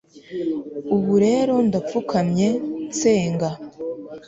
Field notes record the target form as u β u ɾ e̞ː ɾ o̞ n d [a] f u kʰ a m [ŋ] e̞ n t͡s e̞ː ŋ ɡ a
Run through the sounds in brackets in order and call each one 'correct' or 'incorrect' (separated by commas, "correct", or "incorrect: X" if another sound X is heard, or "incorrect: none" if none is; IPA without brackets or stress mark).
correct, incorrect: ɲ